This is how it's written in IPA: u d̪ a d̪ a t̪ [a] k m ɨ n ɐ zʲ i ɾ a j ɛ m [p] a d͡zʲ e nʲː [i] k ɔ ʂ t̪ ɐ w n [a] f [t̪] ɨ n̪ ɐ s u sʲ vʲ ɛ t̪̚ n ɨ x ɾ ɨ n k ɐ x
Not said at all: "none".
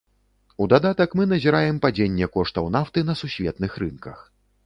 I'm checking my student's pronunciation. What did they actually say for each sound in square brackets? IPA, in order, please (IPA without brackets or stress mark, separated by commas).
ɐ, p, ɛ, a, t̪